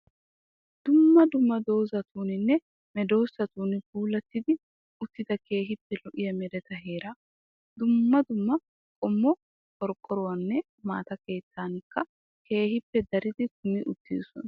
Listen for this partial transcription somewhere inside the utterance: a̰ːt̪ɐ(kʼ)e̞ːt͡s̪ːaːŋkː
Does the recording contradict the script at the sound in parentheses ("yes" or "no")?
yes